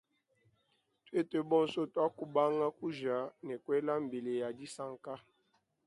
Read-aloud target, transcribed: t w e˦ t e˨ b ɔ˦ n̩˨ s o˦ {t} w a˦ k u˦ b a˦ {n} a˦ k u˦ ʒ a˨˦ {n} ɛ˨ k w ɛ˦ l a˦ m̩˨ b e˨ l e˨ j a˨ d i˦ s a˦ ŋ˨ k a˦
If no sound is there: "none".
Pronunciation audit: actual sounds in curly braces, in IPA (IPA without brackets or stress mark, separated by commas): t, ŋ, n